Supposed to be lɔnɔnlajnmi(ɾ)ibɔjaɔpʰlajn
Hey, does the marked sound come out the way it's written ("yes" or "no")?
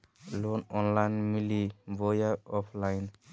no